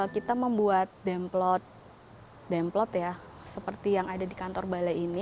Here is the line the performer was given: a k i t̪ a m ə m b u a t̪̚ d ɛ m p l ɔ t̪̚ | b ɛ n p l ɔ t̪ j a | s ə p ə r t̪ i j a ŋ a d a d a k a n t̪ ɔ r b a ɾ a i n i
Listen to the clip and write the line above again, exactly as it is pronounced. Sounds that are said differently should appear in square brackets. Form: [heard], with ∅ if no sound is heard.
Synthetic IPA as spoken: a k i t̪ a m ə m b u a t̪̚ d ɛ m p l ɔ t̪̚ | [d] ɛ [m] p l ɔ t̪ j a | s ə p ə r t̪ i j a ŋ a d a d [i] k a n t̪ ɔ r b a [l] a i n i